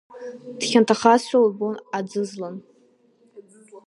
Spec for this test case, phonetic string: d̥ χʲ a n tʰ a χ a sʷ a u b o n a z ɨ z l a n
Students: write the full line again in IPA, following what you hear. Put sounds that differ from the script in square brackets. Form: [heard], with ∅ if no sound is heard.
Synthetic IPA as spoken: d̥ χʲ a n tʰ a χ a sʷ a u b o n a [d͡z] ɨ z l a n